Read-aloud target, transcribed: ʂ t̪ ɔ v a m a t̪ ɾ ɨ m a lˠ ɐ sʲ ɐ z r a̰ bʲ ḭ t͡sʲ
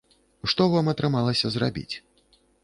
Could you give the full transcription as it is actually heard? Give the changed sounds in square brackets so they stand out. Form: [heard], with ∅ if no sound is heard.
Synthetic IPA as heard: ʂ t̪ ɔ v a m [ɐ] t̪ ɾ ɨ m a lˠ ɐ sʲ ɐ z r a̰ bʲ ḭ t͡sʲ